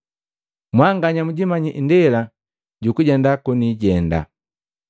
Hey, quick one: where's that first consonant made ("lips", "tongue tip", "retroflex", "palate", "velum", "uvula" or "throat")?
lips